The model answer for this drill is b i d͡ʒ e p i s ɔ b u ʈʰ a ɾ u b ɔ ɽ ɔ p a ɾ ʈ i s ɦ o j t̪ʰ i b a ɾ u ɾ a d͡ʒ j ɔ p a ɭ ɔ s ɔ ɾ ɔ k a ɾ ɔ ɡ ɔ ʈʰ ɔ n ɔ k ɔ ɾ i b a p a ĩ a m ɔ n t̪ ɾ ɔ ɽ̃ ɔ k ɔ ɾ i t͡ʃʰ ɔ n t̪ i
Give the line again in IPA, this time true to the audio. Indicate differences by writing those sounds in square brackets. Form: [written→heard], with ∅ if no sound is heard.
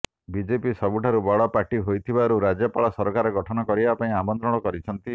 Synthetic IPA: b i d͡ʒ e p i s ɔ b u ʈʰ a ɾ u b ɔ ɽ ɔ p a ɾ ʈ i [s→∅] ɦ o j t̪ʰ i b a ɾ u ɾ a d͡ʒ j ɔ p a ɭ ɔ s ɔ ɾ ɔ k a ɾ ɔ ɡ ɔ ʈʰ ɔ n ɔ k ɔ ɾ i b a p a ĩ a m ɔ n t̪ ɾ ɔ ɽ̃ ɔ k ɔ ɾ i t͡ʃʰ ɔ n t̪ i